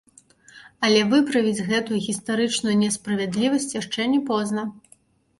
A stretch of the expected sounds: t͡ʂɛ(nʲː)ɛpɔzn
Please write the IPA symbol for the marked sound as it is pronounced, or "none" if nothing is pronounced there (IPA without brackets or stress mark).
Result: nʲ